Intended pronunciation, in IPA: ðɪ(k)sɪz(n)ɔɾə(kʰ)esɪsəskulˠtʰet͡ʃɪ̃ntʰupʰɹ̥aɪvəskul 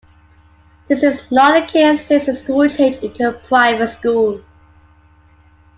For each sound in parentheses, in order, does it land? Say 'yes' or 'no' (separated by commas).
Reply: no, yes, yes